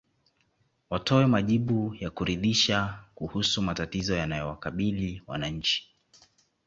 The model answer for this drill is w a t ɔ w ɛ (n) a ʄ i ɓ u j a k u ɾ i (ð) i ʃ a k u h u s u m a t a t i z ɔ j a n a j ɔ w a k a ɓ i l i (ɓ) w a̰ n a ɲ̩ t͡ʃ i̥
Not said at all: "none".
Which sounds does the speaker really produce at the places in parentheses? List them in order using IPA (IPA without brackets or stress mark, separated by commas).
m, ð, none